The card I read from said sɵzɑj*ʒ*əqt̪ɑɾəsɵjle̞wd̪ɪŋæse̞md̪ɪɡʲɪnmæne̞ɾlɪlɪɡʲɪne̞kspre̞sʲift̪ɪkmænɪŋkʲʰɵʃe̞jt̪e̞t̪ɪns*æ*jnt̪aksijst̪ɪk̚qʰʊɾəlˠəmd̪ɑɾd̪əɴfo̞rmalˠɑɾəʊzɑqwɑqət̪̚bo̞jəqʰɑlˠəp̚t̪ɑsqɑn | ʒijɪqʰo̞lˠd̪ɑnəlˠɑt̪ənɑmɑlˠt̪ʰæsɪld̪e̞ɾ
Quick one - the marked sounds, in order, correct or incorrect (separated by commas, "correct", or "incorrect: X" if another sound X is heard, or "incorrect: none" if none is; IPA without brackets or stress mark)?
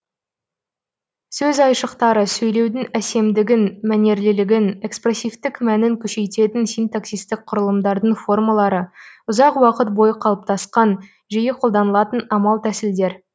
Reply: incorrect: ʃ, incorrect: i